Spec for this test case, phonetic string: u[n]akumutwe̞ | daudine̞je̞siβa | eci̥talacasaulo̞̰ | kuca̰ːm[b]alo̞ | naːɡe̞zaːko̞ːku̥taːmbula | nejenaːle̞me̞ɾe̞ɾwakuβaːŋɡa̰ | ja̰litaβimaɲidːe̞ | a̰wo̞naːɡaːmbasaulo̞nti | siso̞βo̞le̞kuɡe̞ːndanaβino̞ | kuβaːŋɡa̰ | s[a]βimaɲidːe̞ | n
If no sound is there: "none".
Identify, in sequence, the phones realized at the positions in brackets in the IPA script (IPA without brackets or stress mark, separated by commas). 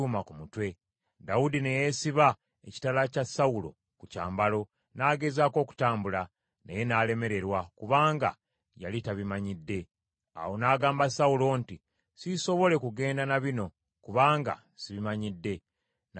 m, b, i